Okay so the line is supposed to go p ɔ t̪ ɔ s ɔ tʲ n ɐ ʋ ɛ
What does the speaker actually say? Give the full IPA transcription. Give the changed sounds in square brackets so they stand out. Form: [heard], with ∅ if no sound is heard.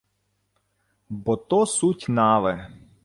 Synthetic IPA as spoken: [b] ɔ t̪ ɔ s [u] tʲ n [ɑ] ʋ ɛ